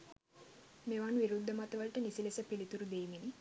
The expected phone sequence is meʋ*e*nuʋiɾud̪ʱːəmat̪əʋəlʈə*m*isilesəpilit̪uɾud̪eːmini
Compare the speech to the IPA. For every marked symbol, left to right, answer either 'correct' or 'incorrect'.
incorrect: a, incorrect: n

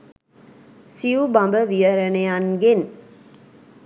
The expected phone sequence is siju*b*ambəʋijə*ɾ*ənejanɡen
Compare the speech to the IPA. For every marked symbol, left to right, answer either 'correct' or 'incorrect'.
correct, correct

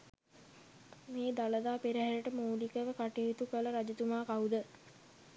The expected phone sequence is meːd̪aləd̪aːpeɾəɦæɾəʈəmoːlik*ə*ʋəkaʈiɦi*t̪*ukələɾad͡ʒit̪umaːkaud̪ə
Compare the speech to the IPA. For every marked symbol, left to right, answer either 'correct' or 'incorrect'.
correct, correct

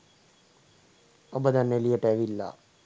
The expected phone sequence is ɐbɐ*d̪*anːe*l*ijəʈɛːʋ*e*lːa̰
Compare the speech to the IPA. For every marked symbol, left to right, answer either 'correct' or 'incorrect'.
correct, correct, incorrect: i

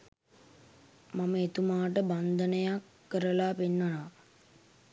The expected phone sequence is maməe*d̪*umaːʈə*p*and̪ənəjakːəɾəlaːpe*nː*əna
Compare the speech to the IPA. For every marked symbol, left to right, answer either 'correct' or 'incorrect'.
incorrect: t̪, incorrect: b, correct

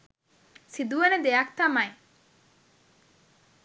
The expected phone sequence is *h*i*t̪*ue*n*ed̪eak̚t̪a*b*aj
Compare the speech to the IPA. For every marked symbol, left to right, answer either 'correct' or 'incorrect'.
incorrect: s, incorrect: d̪, correct, incorrect: m

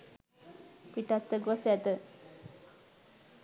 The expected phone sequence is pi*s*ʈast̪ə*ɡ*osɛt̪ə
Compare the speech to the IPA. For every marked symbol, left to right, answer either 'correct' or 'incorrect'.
incorrect: none, correct

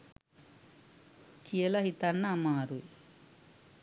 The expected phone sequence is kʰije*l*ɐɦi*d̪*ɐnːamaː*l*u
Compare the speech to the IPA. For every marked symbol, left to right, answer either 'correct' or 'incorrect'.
correct, incorrect: t̪, incorrect: ɾ

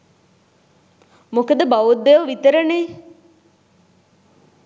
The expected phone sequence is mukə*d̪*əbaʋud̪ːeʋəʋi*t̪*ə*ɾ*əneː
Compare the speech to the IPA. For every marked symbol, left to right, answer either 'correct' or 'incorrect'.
correct, correct, correct

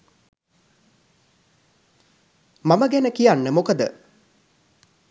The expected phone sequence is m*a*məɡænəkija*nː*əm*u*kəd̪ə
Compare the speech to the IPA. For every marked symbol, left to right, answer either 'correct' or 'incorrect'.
correct, correct, incorrect: o

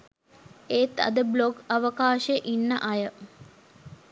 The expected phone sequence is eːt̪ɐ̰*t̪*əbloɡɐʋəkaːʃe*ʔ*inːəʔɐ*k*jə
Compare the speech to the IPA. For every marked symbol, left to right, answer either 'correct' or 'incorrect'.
incorrect: d̪, correct, incorrect: none

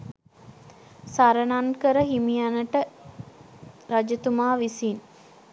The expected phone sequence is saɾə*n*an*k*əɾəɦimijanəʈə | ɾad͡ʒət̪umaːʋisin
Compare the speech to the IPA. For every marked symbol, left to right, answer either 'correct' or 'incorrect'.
correct, correct

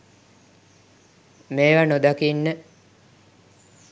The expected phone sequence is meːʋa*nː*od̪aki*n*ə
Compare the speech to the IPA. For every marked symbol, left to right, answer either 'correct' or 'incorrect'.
incorrect: n, incorrect: nː

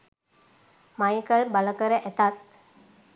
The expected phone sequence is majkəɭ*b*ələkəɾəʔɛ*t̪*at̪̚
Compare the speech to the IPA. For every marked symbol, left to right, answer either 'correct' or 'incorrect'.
correct, correct

